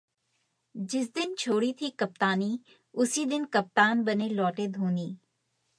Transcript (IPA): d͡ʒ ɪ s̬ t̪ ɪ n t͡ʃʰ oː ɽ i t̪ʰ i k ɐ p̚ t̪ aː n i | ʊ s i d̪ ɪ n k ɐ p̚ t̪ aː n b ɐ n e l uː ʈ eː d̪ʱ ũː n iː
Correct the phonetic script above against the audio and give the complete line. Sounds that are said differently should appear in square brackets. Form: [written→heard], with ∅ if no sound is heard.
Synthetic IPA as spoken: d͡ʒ ɪ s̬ [t̪→d̪] ɪ n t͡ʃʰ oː ɽ i t̪ʰ i k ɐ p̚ t̪ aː n i | ʊ s i d̪ ɪ n k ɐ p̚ t̪ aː n b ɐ n e l [uː→ɔː] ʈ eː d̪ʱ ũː n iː